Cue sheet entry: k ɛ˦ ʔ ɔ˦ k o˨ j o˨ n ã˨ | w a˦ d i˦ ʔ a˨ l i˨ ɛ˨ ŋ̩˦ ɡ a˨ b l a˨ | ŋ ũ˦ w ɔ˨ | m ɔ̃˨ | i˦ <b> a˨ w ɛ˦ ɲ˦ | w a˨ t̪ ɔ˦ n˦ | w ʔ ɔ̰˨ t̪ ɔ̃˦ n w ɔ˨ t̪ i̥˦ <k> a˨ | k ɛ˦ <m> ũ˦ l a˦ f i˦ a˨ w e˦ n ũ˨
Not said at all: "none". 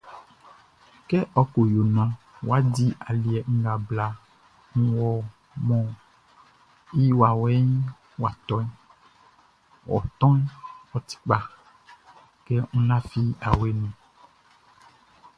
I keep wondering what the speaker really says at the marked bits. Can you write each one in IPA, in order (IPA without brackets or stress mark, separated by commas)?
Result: w, k͡p, ŋ